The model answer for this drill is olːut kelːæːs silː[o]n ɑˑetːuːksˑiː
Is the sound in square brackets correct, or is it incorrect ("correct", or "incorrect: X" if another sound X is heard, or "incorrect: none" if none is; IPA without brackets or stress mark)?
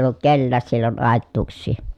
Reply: correct